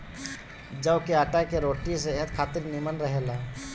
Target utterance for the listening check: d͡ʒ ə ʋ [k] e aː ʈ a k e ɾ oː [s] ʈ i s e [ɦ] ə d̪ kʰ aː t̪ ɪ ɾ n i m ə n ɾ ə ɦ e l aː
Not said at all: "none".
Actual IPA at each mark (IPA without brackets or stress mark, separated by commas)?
k, none, ɦ